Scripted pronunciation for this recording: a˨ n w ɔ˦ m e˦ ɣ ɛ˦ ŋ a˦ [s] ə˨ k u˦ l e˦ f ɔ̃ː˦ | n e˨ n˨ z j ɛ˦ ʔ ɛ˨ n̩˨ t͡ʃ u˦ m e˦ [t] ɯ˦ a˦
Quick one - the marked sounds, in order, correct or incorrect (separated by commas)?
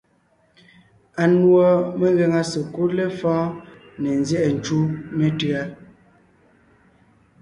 correct, correct